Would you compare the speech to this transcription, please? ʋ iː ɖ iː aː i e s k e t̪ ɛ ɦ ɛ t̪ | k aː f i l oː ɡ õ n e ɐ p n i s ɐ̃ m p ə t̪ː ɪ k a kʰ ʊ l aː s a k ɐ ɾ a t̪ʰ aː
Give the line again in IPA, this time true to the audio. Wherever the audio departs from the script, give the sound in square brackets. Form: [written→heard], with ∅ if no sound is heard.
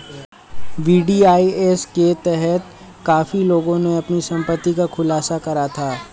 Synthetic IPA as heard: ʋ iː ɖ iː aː i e s k e t̪ ɛ ɦ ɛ t̪ | k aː f i l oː ɡ õ n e ɐ p n i s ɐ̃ m p ə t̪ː [ɪ→i] k a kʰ ʊ l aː s a k ɐ ɾ a t̪ʰ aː